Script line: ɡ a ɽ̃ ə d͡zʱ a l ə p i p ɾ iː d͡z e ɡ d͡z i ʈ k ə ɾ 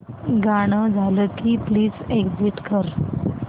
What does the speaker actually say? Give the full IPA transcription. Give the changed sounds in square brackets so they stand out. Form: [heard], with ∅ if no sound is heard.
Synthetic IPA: ɡ a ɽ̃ ə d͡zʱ a l ə [k] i p [l] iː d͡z e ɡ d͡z i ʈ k ə ɾ

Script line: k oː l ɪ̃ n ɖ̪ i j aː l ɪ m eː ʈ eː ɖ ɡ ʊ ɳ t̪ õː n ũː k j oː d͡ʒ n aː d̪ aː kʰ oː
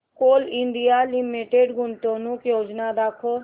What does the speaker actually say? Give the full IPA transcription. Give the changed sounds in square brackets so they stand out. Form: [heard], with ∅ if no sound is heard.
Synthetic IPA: k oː l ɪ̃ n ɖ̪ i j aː l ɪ m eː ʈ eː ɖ ɡ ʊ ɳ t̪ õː n ũː k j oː d͡ʒ n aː d̪ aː kʰ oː

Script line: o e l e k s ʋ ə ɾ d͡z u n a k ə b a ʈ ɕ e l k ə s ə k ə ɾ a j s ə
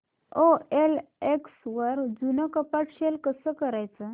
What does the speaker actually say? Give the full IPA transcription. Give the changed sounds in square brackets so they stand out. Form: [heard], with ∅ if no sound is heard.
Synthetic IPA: o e l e k s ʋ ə ɾ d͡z u n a k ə [p] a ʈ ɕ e l k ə s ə k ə ɾ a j [t͡s] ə

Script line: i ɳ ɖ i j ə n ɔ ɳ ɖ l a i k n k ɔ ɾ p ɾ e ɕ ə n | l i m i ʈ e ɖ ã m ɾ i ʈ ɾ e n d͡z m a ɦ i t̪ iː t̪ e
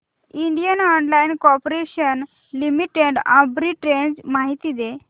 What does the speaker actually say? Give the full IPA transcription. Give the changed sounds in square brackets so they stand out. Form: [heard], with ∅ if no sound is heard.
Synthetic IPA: i ɳ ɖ i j ə n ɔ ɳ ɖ l a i [∅] n k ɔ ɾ p ɾ e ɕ ə n | l i m i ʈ e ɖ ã [b] ɾ i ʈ ɾ e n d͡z m a ɦ i t̪ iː [d̪] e

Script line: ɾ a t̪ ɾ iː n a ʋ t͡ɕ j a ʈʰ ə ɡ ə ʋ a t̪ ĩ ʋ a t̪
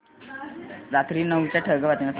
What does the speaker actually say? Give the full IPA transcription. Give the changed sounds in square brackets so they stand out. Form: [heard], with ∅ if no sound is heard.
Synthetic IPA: ɾ a t̪ ɾ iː n [ə] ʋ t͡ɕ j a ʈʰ ə ɡ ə ʋ a t̪ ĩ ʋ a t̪

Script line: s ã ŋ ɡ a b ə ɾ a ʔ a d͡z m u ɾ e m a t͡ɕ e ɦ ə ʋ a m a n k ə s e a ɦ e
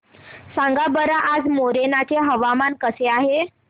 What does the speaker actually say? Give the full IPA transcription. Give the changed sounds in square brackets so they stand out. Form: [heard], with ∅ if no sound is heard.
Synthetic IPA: s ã ŋ ɡ a b ə ɾ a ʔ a d͡z m [o] ɾ e [n] a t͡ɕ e ɦ ə ʋ a m a n k ə s e a ɦ e

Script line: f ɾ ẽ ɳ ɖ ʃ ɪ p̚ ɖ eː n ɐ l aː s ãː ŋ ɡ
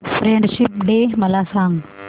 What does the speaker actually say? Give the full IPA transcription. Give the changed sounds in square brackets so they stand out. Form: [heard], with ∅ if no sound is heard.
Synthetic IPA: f ɾ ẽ ɳ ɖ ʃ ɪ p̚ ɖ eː [m] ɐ l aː s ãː ŋ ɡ

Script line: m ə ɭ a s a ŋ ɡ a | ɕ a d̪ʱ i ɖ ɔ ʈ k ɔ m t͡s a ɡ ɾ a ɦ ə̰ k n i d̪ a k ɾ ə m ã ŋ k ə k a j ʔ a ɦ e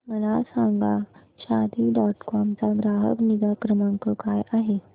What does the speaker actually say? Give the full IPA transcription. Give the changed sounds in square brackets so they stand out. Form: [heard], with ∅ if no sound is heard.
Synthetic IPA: m ə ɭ a s a ŋ ɡ a | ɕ a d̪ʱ i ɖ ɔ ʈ k ɔ m t͡s a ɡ ɾ a ɦ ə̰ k n i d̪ a k ɾ ə m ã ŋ k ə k a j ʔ a ɦ e

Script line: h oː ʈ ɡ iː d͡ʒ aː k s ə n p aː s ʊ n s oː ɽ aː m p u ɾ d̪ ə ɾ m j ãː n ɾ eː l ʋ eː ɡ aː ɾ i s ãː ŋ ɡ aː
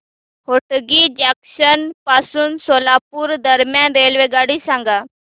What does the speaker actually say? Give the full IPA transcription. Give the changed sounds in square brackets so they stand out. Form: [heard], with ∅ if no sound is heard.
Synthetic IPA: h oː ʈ ɡ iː d͡ʒ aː k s ə n p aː s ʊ n s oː [l] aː [∅] p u ɾ d̪ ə ɾ m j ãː n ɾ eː l ʋ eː ɡ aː [ɽ] i s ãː ŋ ɡ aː

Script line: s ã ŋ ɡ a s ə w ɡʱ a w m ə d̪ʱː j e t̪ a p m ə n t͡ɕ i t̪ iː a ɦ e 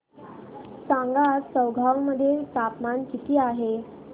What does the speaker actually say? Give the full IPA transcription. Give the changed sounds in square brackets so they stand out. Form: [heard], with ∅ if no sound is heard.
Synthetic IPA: s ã ŋ ɡ a s ə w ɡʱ a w m ə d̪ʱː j e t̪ a p m [a] n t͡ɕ i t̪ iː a ɦ e

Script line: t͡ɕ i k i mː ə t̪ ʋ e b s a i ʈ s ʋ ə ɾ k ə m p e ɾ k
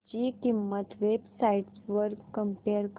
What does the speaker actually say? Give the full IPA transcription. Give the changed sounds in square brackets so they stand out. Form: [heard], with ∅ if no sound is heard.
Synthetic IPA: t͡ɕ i k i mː ə t̪ ʋ e b s a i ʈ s ʋ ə ɾ k ə m p e ɾ k

